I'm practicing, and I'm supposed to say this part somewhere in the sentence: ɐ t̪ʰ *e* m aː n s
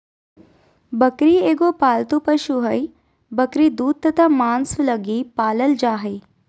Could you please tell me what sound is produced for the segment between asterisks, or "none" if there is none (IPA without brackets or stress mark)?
a